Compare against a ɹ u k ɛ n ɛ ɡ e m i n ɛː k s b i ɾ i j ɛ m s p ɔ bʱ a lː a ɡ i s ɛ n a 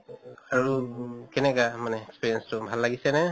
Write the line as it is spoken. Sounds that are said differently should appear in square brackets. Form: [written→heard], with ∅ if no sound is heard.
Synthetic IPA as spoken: a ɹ u k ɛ n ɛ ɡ [e→a] m [i→a] n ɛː k s [b→p] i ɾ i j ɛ [m→n] s [p→t] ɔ bʱ a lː a ɡ i s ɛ n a